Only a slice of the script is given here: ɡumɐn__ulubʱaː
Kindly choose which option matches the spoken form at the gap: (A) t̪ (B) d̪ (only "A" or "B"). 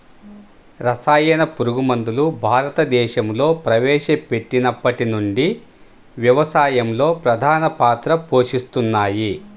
B